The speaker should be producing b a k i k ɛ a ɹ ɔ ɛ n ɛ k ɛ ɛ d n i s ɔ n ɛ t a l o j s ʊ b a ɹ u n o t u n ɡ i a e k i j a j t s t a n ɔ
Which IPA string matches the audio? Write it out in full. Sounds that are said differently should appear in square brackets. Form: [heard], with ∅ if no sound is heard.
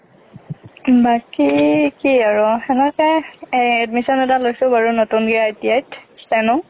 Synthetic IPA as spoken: b a k i k [i] a ɹ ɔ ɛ n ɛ k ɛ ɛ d [m] i s ɔ n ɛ t a l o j s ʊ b a ɹ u n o t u n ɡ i a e [t] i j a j t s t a n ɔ